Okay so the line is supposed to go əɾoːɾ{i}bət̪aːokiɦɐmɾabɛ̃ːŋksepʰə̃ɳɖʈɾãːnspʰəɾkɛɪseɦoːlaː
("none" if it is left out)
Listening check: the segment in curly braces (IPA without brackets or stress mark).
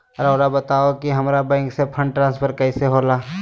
a